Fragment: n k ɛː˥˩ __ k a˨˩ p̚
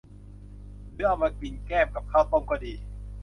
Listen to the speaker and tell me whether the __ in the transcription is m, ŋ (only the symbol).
m